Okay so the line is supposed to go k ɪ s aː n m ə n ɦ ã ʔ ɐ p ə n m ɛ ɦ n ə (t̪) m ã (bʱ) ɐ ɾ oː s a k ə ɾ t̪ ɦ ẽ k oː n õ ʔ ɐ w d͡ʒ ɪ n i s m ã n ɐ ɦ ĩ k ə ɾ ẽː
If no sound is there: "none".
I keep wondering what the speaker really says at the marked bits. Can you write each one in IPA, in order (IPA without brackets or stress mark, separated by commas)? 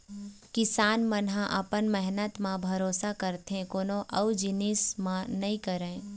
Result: t̪, bʱ